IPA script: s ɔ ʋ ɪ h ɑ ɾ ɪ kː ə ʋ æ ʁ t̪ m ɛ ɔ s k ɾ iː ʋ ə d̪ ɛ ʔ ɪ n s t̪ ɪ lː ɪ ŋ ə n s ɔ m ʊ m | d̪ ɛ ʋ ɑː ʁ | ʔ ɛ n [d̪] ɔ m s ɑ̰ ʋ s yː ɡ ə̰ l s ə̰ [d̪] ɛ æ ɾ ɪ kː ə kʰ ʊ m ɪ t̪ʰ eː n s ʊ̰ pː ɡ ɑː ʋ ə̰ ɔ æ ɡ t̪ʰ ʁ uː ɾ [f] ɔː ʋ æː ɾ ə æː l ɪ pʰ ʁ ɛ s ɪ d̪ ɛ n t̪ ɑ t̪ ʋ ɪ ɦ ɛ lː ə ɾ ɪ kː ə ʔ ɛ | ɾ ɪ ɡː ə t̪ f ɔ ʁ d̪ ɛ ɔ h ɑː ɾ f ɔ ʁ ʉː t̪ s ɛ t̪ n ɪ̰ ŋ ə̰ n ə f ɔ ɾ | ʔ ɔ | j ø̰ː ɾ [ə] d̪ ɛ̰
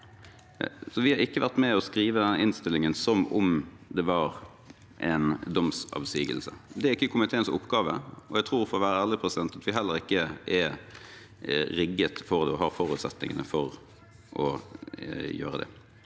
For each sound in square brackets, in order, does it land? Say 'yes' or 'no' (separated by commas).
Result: yes, yes, yes, yes